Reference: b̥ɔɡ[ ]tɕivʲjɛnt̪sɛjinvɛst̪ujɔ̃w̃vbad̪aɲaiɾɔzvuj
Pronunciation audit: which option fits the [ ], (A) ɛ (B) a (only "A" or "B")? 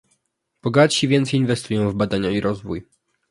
B